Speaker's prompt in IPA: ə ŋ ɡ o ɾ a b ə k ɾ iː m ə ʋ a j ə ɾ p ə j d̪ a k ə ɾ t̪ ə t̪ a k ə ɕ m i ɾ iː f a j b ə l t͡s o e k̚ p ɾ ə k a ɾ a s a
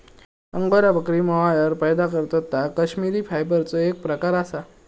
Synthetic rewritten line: ə ŋ ɡ o ɾ a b ə k ɾ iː m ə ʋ a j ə ɾ p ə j d̪ a k ə ɾ t̪ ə t̪ a k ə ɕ m i ɾ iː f a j b ə ɾ t͡s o e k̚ p ɾ ə k a ɾ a s a